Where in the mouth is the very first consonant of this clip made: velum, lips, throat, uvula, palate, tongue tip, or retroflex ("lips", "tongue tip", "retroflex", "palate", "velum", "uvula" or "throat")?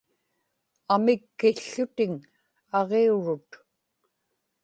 lips